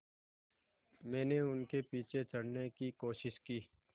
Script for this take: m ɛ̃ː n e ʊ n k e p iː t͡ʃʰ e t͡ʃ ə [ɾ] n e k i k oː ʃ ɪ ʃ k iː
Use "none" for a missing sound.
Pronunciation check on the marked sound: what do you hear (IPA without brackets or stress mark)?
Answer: ɽ